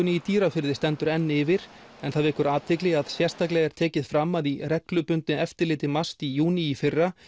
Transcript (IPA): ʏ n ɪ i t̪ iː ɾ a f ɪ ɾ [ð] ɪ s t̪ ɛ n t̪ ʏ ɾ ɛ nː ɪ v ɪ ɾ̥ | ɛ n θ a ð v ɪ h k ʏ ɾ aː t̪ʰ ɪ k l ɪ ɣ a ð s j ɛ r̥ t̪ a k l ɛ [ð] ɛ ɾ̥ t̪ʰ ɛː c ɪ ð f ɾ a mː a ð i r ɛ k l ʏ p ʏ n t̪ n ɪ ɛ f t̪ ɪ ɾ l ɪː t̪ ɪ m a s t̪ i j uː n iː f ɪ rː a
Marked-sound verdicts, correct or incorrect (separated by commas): correct, incorrect